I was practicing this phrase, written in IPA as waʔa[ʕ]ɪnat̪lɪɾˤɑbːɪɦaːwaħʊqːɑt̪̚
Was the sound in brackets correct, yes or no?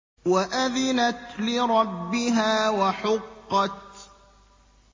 no